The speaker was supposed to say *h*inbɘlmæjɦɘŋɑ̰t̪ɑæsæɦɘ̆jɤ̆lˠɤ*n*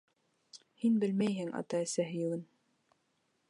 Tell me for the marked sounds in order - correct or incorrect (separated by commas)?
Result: correct, correct